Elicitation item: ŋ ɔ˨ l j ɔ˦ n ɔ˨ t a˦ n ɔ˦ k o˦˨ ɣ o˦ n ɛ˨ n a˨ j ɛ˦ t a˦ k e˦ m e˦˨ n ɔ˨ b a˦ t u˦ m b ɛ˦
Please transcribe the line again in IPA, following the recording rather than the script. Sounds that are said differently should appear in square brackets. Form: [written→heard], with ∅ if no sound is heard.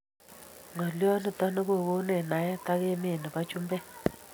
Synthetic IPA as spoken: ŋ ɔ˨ l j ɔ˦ n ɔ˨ t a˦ n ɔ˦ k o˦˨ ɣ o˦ n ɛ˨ n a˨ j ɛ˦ t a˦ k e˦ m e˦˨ n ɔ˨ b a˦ [t→t͡ʃ] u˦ m b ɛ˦